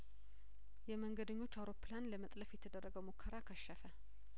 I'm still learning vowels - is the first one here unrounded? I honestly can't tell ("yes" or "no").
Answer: yes